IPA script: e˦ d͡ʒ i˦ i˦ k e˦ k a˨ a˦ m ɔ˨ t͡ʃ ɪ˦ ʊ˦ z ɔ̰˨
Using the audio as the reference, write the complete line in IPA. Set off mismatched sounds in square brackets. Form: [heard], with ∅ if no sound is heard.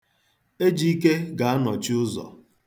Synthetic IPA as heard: e˦ d͡ʒ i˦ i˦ k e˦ [ɡ] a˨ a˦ [n] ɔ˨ t͡ʃ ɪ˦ ʊ˦ z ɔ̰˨